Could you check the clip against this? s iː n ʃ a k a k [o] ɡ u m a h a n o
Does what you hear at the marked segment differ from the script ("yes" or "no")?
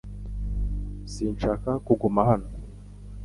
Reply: yes